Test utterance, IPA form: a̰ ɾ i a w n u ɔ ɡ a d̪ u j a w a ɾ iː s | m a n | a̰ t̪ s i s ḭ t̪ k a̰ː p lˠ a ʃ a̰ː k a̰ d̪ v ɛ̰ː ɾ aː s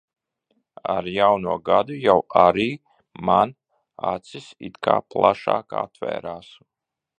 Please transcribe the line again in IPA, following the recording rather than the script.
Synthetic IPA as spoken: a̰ ɾ j a w n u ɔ ɡ a d̪ u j a w a ɾ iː | m a n | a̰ t̪ s i s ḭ t̪ k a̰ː p lˠ a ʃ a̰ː k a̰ t̪ v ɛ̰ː ɾ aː s